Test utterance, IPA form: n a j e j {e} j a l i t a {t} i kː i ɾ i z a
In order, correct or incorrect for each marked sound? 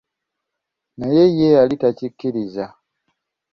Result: correct, incorrect: c

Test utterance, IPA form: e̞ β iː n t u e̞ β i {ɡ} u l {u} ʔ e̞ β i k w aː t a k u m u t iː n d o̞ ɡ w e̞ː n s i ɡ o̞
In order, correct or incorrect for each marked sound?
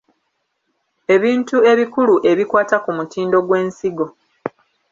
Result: incorrect: k, correct

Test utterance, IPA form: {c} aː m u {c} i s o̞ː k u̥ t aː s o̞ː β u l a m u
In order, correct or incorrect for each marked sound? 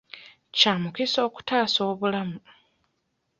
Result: correct, incorrect: k

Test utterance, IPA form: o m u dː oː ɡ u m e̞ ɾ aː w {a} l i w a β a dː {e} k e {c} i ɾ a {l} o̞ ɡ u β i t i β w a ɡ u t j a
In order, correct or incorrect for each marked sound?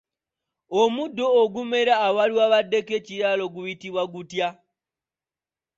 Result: correct, correct, correct, correct

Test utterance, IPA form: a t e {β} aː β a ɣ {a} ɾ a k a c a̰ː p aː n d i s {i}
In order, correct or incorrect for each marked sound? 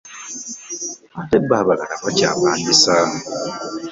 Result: incorrect: b, correct, incorrect: a

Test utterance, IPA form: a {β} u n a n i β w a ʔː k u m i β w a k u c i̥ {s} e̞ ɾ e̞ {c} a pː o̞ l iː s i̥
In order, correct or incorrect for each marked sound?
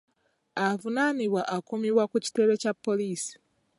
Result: incorrect: v, incorrect: t, correct

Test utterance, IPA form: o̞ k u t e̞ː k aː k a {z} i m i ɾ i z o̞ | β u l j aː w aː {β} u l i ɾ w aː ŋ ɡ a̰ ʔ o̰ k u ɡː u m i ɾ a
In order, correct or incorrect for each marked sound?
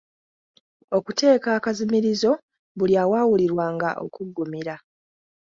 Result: correct, incorrect: w

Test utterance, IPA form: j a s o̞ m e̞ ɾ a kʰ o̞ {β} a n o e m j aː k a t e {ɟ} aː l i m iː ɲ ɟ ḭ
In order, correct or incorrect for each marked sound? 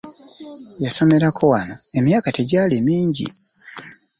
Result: incorrect: w, correct

